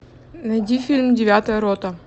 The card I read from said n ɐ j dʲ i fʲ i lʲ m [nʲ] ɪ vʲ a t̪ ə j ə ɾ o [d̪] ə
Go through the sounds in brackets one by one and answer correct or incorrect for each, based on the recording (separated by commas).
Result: incorrect, incorrect